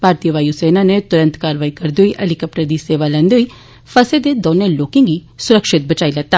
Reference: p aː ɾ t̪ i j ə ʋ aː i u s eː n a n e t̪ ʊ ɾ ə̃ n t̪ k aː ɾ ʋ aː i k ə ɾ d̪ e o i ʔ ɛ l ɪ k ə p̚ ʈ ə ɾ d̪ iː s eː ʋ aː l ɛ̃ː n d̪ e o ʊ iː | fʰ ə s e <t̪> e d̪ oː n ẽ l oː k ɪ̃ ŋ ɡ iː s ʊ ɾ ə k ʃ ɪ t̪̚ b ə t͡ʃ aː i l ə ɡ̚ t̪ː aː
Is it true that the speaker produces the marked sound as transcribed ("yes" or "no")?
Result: no